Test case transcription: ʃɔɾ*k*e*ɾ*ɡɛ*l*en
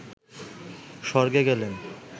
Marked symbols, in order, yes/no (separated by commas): no, no, yes